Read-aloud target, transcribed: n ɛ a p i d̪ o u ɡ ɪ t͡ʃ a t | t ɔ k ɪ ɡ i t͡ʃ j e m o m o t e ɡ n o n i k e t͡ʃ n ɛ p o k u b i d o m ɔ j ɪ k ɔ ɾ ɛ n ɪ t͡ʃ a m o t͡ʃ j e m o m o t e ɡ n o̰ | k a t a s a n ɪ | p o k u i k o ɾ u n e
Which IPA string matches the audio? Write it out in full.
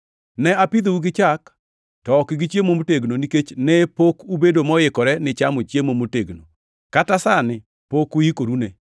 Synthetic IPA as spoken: n ɛ a p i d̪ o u ɡ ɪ t͡ʃ a k | t ɔ k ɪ ɡ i t͡ʃ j e m o m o t e ɡ n o n i k e t͡ʃ n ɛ p o k u b e d o m ɔ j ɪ k ɔ ɾ ɛ n ɪ t͡ʃ a m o t͡ʃ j e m o m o t e ɡ n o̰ | k a t a s a n ɪ | p o k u i k o ɾ u n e